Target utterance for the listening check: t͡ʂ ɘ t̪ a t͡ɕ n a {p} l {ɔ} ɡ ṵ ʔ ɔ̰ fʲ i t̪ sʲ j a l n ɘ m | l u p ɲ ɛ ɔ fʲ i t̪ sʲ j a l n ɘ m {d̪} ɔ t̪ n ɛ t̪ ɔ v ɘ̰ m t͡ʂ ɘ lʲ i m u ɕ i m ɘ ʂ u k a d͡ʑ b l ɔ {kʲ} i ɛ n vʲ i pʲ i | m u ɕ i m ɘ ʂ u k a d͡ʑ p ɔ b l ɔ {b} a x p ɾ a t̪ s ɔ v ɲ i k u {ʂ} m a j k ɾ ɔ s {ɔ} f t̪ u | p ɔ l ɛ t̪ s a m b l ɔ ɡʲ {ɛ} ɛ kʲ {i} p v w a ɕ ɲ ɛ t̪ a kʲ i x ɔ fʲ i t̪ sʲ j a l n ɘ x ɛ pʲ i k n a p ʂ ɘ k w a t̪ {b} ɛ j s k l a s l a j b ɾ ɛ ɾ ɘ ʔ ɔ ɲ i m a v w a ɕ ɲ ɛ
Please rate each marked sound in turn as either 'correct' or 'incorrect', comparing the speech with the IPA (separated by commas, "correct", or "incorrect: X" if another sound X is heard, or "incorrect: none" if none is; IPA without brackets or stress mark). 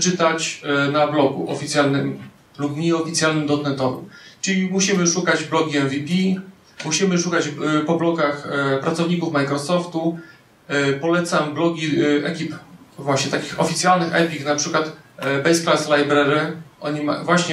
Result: incorrect: b, correct, correct, incorrect: ɡʲ, incorrect: ɡ, incorrect: f, correct, incorrect: i, correct, correct